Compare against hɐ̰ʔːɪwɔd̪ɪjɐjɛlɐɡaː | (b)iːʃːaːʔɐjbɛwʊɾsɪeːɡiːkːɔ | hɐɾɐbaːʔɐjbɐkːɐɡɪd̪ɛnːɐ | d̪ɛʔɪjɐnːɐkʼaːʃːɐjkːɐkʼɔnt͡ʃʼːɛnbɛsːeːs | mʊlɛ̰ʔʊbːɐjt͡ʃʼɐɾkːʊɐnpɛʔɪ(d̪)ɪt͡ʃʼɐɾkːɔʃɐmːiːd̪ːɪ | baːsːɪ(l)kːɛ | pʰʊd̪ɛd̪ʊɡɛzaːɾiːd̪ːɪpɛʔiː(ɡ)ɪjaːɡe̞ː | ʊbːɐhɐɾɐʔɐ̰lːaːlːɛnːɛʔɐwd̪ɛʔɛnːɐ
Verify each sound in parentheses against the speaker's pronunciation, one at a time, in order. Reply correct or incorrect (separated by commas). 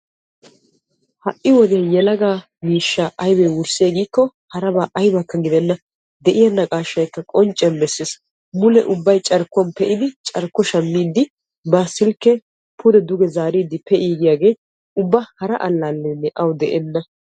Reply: incorrect, correct, correct, correct